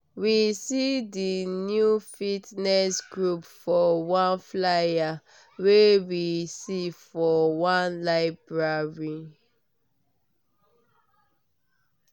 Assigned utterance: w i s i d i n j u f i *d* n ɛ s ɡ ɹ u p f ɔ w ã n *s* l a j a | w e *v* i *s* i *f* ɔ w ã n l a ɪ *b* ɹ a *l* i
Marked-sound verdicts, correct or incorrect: incorrect, incorrect, incorrect, correct, correct, correct, incorrect

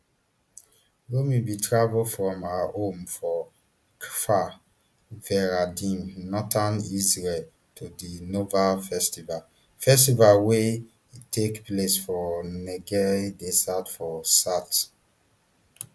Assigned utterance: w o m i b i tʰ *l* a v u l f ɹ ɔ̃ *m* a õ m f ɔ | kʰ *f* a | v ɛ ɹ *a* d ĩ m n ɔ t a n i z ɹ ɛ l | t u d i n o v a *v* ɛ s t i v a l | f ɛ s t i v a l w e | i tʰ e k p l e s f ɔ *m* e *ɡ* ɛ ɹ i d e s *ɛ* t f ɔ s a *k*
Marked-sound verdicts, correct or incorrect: incorrect, correct, correct, correct, incorrect, incorrect, correct, incorrect, incorrect

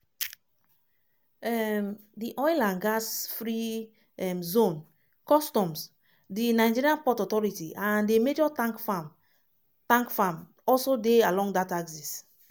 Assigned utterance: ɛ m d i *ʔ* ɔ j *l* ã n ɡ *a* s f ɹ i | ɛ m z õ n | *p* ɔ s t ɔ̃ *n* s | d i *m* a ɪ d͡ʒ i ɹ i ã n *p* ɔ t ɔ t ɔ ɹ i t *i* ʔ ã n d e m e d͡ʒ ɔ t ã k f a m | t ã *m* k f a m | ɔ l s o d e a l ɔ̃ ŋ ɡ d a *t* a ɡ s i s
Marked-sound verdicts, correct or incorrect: correct, correct, correct, incorrect, incorrect, incorrect, correct, correct, incorrect, correct

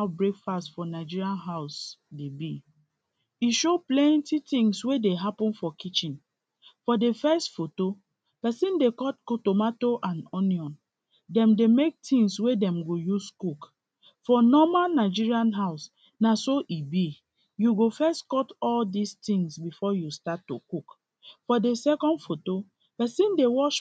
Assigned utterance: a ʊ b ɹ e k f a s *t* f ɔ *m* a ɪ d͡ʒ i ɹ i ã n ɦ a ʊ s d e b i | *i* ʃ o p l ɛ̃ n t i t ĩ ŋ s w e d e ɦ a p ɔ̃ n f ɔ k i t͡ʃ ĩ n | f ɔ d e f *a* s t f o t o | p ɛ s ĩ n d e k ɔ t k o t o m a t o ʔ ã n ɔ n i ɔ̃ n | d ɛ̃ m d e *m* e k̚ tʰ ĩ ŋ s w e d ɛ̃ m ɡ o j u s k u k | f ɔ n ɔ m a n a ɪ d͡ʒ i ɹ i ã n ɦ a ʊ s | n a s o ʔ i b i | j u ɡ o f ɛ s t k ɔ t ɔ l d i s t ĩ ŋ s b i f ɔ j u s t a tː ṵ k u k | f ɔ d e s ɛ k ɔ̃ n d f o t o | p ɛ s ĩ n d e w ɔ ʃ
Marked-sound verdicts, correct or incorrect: correct, incorrect, correct, incorrect, correct

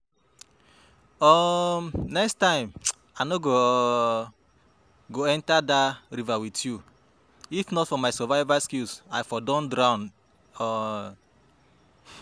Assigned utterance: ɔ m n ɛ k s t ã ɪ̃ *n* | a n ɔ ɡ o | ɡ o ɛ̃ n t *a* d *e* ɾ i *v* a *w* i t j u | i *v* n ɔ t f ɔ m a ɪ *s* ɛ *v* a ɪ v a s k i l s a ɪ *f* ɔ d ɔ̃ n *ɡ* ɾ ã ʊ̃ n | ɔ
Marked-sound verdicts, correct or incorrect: incorrect, correct, incorrect, correct, correct, incorrect, correct, correct, correct, incorrect

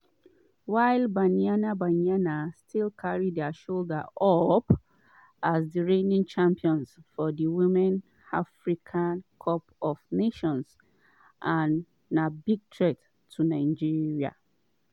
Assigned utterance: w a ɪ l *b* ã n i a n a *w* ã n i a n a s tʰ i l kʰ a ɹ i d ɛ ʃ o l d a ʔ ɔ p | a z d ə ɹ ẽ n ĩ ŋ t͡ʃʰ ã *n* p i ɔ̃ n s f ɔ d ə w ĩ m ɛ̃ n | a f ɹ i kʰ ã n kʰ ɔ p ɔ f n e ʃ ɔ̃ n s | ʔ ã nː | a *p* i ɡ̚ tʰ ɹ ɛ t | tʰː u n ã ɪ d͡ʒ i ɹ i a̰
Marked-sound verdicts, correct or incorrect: correct, incorrect, incorrect, incorrect

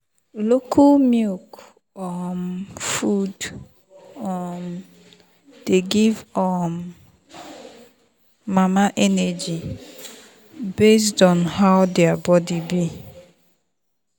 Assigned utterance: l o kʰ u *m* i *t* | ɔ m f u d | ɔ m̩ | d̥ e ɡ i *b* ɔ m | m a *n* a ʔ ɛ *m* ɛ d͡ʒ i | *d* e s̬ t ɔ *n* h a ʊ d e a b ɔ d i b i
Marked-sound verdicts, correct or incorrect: correct, incorrect, incorrect, incorrect, incorrect, incorrect, correct

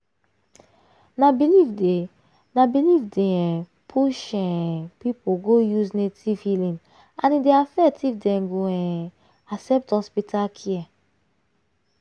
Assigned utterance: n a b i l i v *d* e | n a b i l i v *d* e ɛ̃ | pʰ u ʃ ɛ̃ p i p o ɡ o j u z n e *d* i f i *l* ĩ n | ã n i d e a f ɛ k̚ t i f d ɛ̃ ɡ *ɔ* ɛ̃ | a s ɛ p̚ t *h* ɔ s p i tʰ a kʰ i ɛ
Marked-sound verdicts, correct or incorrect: correct, correct, incorrect, correct, incorrect, correct

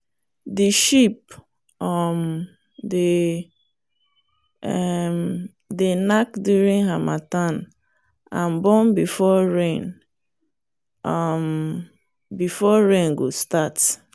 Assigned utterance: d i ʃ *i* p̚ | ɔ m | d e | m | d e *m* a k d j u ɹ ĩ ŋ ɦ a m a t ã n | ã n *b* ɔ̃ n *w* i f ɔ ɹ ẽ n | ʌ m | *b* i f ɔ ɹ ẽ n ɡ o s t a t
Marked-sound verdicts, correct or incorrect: correct, incorrect, correct, incorrect, correct

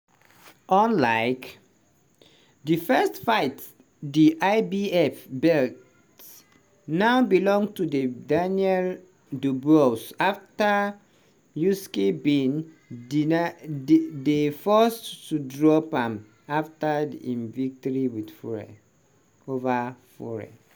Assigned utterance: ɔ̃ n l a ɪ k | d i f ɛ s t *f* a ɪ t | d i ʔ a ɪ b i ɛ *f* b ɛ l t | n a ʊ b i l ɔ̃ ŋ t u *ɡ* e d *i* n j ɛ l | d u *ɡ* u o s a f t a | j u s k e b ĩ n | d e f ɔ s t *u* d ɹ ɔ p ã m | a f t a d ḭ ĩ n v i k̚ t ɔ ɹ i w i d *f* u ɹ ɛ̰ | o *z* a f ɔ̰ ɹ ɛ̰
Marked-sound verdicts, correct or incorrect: correct, correct, incorrect, incorrect, incorrect, correct, correct, incorrect

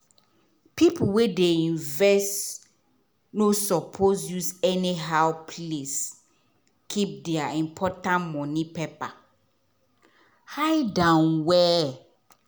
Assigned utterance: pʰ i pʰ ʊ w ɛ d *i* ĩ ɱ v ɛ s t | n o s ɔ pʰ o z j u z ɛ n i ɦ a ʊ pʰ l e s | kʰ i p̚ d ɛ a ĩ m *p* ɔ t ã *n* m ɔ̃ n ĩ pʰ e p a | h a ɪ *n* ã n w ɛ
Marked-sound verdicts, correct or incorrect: incorrect, incorrect, correct, incorrect

